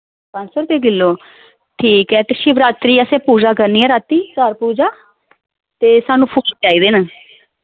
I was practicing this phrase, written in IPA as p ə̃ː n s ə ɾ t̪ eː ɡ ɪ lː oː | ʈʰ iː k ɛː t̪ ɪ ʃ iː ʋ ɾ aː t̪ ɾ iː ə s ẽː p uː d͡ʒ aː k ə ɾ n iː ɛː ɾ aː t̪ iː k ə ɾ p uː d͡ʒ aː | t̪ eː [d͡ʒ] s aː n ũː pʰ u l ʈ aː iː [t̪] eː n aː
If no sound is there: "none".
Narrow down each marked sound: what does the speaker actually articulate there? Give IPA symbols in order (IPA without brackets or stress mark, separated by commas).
none, d̪